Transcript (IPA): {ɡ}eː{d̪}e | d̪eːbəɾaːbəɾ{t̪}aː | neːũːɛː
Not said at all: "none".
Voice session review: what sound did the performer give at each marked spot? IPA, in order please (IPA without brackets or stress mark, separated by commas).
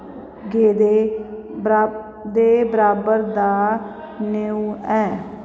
ɡ, d̪, d̪